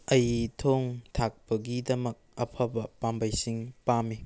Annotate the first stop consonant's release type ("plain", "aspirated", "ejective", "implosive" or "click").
aspirated